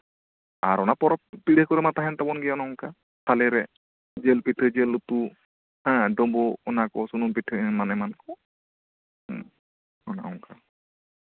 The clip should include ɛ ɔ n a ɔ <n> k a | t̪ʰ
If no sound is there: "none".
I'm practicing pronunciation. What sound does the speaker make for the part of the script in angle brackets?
ŋ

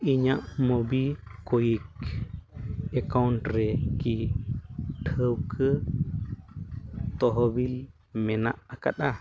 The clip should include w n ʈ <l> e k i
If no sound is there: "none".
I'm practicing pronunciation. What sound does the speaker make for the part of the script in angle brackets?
ɾ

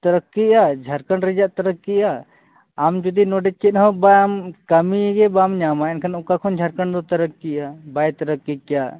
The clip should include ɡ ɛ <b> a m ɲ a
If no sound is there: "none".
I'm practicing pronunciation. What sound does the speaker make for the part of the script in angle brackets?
b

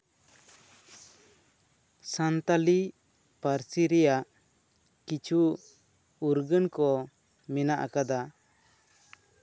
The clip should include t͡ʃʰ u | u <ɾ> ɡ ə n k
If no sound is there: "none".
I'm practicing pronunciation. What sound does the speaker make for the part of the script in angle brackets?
ɾ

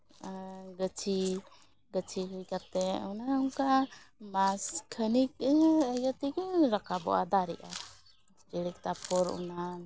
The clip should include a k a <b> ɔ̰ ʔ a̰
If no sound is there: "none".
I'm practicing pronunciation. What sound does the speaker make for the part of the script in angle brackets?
b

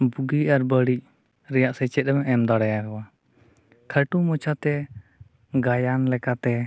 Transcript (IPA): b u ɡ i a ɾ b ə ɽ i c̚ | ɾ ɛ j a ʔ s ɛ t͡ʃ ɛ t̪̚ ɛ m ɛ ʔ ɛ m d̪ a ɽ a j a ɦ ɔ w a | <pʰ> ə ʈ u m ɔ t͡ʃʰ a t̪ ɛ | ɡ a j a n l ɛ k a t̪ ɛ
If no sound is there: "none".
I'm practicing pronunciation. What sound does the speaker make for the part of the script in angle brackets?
kʰ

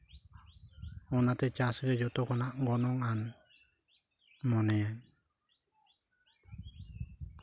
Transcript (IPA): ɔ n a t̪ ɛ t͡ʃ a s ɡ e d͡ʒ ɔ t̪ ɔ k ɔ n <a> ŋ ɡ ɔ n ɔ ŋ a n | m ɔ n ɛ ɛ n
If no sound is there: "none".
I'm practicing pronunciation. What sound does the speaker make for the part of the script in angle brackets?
a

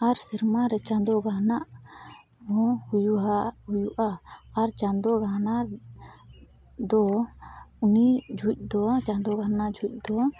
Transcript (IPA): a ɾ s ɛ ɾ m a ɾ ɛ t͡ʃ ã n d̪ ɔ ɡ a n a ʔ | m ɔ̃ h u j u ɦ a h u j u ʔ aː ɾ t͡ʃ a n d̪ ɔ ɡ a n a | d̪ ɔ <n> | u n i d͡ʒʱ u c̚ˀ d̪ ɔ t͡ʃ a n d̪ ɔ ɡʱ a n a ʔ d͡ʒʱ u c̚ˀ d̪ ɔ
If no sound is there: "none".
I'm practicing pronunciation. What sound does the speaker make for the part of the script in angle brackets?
none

